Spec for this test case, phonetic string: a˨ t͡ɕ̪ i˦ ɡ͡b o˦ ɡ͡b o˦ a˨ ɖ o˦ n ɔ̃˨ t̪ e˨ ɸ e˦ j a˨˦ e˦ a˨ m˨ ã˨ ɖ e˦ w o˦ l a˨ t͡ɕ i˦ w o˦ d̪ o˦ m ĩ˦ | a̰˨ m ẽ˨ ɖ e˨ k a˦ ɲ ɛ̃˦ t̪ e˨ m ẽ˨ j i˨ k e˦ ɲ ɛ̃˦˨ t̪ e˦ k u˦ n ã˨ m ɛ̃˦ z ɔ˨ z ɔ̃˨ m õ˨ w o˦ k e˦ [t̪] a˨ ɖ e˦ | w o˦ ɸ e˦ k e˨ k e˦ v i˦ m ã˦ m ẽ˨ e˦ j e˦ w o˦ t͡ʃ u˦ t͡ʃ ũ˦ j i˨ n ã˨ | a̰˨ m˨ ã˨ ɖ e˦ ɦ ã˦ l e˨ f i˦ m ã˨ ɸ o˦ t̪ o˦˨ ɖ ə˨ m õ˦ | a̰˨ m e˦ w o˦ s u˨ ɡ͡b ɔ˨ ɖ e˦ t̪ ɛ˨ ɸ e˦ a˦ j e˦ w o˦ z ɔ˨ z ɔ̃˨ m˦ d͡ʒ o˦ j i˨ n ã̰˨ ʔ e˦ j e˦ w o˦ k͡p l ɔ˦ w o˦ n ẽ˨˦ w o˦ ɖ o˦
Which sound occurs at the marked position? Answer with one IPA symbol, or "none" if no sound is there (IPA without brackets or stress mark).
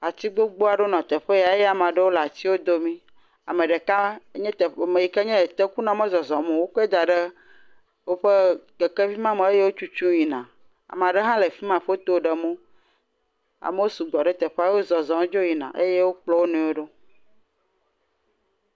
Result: d̪